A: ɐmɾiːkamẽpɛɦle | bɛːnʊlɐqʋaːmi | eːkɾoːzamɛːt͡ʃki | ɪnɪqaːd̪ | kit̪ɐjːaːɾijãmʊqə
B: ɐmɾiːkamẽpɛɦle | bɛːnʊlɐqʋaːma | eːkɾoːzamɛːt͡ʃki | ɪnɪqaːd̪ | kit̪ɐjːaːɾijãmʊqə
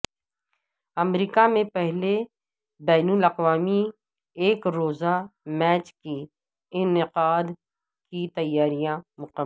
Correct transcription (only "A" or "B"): A